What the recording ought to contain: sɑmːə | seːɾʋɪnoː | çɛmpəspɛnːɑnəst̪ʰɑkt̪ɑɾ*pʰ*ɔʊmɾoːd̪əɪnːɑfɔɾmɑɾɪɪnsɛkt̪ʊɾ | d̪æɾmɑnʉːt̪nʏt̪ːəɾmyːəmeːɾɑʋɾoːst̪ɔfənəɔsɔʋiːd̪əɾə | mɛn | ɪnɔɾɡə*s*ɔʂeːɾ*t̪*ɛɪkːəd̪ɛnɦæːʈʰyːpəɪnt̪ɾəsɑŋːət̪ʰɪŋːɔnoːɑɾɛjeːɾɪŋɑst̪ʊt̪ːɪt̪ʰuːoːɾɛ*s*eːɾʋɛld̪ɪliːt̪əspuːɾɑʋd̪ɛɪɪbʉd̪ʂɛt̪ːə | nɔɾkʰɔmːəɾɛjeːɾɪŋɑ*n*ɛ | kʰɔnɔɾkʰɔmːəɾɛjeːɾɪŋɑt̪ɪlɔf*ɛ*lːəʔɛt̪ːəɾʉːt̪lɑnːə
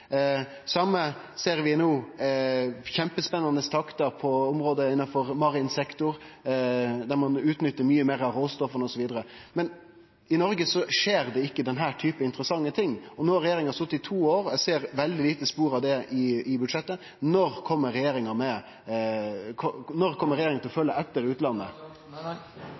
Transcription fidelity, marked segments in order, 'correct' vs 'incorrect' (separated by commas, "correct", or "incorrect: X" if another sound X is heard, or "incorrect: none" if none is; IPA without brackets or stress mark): correct, correct, incorrect: d̪, correct, incorrect: m, incorrect: œ